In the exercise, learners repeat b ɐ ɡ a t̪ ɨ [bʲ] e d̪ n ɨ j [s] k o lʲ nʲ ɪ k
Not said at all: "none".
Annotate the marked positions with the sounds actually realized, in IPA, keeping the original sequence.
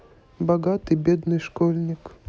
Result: bʲ, ʂ

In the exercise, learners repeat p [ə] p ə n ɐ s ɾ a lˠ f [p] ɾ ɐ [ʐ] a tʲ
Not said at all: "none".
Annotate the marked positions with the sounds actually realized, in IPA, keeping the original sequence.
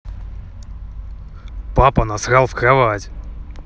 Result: a, k, v

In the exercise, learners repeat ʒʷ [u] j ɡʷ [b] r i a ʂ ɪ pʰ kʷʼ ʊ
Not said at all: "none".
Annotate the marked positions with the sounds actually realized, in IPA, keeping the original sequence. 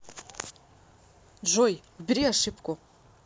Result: o, b

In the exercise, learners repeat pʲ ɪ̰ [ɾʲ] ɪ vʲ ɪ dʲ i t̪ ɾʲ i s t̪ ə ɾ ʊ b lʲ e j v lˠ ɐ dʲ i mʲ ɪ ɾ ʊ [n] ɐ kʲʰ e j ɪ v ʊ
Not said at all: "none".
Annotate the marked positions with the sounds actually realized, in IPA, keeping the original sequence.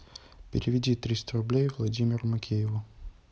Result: ɾʲ, m

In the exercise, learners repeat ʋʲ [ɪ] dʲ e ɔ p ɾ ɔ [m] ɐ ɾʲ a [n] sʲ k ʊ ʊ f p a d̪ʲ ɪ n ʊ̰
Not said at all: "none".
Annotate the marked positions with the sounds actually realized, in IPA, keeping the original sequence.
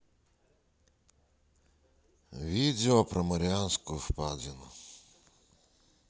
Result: i, m, n

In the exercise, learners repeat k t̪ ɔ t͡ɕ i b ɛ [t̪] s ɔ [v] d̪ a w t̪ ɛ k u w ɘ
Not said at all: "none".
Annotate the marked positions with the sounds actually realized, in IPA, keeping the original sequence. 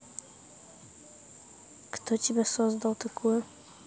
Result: none, z

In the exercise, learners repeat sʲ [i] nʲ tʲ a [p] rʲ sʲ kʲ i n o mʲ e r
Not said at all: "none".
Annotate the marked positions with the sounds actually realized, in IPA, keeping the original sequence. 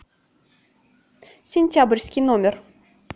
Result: e, b

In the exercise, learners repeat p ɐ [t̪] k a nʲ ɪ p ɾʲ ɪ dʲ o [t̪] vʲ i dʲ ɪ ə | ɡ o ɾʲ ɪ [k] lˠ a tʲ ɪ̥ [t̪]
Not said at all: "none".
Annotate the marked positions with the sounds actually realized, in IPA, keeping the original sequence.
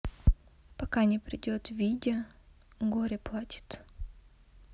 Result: none, t̪, p, t̪

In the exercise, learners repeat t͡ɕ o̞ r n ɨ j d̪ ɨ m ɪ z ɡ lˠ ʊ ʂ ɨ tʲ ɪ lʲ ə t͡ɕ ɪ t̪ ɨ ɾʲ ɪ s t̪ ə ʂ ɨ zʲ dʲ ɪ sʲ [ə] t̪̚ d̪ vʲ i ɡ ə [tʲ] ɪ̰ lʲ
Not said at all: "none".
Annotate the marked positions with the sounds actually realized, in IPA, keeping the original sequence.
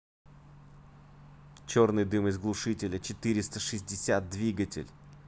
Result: a, tʲ

